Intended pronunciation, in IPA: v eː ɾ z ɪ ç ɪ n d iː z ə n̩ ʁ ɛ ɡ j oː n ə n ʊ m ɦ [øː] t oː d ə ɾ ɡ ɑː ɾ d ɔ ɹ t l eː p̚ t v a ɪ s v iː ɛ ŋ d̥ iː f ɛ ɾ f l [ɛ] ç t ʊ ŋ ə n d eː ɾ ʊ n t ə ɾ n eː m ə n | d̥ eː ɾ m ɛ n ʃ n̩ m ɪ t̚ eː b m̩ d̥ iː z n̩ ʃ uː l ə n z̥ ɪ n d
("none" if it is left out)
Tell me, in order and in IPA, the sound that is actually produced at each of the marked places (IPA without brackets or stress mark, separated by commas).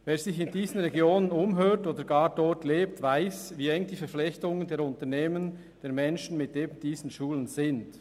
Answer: øː, ɛ